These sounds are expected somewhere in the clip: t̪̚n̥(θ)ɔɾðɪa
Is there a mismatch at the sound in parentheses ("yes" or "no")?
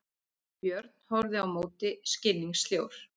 yes